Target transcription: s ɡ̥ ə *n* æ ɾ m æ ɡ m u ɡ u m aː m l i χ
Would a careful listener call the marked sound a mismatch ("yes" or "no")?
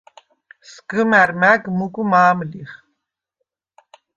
yes